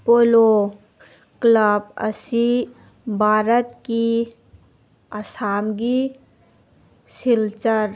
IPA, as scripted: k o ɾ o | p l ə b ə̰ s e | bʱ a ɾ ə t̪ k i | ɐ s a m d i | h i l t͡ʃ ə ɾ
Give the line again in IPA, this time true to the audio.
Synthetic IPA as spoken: p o l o | k l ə b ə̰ s i | bʱ a ɾ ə t̪ k i | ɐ s a m ɡ i | s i l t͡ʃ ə ɾ